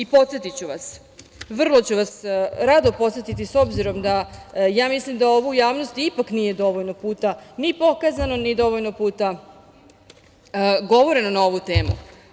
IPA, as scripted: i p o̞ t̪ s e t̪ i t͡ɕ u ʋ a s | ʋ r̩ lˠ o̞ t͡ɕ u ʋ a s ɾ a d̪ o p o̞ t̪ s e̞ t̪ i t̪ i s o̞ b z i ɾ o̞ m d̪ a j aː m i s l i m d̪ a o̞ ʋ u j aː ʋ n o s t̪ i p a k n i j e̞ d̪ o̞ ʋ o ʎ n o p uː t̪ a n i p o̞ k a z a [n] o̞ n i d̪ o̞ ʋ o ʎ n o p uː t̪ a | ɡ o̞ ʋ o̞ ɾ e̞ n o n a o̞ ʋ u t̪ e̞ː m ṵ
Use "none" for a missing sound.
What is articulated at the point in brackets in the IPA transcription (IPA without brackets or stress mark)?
n